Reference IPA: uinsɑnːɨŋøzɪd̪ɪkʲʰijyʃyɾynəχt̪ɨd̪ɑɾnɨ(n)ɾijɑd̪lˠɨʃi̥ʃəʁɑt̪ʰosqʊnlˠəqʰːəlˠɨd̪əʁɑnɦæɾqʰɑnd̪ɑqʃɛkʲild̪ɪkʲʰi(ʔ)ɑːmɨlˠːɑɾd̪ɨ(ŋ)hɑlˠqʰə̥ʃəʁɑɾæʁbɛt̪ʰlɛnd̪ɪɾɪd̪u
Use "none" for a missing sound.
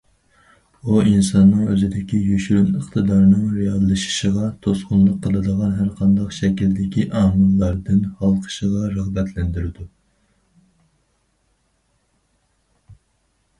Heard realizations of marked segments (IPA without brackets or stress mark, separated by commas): ŋ, ʔ, n